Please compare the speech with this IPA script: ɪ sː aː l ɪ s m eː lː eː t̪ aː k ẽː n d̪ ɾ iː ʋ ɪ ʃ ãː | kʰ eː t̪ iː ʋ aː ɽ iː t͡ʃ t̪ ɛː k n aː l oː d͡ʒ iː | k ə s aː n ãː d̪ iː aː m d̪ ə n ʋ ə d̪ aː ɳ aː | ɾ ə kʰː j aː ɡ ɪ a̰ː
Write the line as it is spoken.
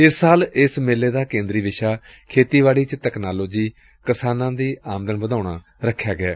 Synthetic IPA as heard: ɪ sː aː l ɪ s m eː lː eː d̪ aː k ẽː n d̪ ɾ iː ʋ ɪ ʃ aː | kʰ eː t̪ iː ʋ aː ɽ iː t͡ʃ t̪ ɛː k n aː l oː d͡ʒ iː | k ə s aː n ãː d̪ iː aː m d̪ ə n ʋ ə d̪ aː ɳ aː | ɾ ə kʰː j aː ɡ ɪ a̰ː